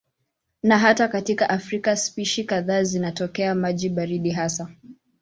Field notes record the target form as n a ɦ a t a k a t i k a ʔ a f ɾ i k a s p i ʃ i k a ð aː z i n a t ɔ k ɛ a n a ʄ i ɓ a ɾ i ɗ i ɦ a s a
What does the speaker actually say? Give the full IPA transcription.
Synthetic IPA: n a ɦ a t a k a t i k a ʔ a f ɾ i k a s p i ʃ i k a ð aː z i n a t ɔ k ɛ a m a ʄ i ɓ a ɾ i ɗ i ɦ a s a

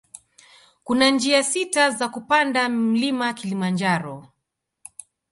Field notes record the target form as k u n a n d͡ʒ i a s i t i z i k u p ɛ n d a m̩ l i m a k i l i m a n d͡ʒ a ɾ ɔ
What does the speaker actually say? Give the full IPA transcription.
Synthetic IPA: k u n a n d͡ʒ i a s i t a z a k u p a n d a m̩ l i m a k i l i m a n d͡ʒ a ɾ ɔ

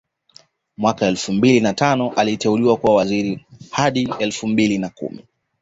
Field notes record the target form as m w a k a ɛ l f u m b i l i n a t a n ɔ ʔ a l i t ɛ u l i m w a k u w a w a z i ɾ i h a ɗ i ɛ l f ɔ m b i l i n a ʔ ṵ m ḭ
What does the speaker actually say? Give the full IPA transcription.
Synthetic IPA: m w a k a ɛ l f u m b i l i n a t a n ɔ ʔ a l i t ɛ u l i w a k u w a w a z i ɾ i h a ɗ i ɛ l f u m b i l i n a k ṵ m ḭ

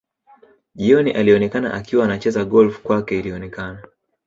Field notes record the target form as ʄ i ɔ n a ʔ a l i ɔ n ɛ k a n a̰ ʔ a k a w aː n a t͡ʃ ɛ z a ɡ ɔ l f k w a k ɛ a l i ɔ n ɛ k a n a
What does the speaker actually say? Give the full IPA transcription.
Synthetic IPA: ʄ i ɔ n i ʔ a l i ɔ n ɛ k a n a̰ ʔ a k i w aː n a t͡ʃ ɛ z a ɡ ɔ l f k w a k ɛ i l i ɔ n ɛ k a n a

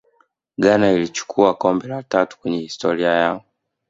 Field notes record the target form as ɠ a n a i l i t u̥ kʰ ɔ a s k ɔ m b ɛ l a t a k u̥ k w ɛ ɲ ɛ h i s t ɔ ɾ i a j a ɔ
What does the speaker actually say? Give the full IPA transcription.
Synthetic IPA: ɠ a n a i l i t͡ʃ u̥ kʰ u a k ɔ m b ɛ l a t a t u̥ k w ɛ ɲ ɛ h i s t ɔ ɾ i a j a ɔ

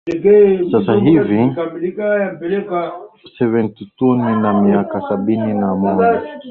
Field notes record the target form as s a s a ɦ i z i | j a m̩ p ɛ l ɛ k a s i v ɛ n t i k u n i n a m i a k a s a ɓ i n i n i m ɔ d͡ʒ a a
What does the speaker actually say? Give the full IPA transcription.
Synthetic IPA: s a s a ɦ i v i | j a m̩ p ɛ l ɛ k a s ɛ v ɛ n t i t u n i n a m i a k a s a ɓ i n i n a m ɔ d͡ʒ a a

